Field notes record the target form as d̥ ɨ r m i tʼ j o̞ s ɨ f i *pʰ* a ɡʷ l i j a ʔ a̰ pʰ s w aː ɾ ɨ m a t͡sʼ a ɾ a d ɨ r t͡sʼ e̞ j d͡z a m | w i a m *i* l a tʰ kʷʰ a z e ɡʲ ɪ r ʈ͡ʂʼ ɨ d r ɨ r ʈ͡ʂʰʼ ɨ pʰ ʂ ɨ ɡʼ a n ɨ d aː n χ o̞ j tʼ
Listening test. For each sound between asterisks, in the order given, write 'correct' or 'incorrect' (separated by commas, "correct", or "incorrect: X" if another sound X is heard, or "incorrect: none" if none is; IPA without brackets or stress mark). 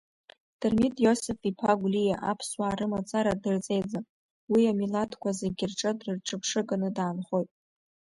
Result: correct, correct